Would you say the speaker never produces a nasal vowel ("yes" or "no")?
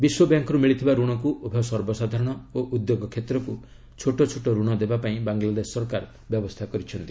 no